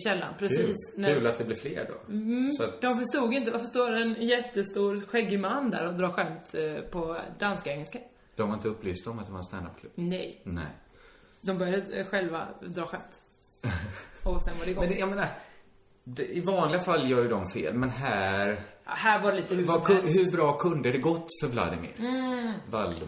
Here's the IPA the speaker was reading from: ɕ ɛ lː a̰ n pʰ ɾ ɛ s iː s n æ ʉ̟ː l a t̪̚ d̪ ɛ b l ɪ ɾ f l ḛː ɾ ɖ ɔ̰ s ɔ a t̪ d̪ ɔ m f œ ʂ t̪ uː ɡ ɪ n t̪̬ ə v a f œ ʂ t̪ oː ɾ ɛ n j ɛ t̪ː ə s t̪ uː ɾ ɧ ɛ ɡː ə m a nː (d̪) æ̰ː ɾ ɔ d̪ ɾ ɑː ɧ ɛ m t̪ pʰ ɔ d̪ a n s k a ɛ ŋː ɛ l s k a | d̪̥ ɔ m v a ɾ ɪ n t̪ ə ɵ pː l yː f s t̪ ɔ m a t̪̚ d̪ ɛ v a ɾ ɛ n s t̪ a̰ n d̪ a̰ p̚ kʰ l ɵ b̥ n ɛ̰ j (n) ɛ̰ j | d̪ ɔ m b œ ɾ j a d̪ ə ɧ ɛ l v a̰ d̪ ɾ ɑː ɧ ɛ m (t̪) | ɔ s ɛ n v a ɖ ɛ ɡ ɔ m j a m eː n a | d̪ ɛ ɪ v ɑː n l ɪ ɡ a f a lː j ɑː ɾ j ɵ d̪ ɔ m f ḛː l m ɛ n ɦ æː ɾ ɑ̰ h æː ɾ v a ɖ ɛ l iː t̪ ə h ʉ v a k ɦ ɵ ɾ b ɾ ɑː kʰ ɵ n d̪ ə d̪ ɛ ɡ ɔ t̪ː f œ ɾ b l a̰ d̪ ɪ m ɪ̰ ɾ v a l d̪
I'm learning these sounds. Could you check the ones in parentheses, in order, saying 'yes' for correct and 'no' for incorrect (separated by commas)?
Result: yes, yes, yes